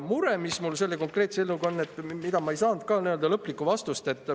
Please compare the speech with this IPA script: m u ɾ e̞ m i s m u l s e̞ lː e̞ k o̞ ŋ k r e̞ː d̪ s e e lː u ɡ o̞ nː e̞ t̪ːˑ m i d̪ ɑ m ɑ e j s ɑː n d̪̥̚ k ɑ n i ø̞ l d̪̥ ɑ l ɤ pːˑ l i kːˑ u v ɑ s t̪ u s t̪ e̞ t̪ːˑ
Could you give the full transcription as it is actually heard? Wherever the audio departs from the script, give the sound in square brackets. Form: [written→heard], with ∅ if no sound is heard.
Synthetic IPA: m u ɾ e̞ m i s m u l s e̞ lː e̞ k o̞ ŋ k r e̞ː [d̪→t̪] s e e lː u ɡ o̞ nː e̞ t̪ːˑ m i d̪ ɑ m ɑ e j s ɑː n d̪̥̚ k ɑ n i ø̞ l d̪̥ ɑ l ɤ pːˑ l i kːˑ u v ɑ s t̪ u s t̪ e̞ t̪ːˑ